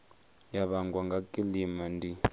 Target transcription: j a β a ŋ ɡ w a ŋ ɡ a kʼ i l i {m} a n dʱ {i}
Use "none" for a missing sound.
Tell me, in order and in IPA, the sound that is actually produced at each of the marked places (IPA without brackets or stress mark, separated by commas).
m, i